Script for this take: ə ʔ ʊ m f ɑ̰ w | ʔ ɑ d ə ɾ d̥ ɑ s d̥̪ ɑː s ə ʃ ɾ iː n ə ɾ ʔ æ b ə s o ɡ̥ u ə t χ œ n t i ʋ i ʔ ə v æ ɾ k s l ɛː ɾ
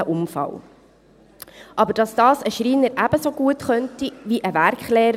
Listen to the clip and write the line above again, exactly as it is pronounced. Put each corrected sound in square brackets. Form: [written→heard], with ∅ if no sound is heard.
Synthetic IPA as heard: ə ʔ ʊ m f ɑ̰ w | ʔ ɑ [d→b] ə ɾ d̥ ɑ s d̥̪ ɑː s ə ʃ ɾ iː n ə ɾ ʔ æ b ə s o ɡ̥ u ə t χ œ n t i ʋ i ʔ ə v æ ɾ k [s→χ] l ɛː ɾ